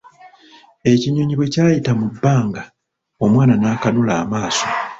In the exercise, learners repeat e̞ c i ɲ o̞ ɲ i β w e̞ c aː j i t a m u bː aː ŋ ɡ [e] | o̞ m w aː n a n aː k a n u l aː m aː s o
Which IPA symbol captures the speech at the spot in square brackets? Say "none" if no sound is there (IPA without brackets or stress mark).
a